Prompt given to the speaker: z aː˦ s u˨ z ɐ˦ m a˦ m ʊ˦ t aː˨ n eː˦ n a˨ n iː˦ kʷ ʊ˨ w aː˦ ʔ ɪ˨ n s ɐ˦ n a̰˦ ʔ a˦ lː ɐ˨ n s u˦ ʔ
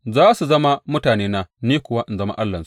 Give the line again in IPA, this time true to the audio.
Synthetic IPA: z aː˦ s u˨ z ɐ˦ m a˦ m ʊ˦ t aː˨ n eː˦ n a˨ n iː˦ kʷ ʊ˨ w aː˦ ʔ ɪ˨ n z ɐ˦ m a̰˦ ʔ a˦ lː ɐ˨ n s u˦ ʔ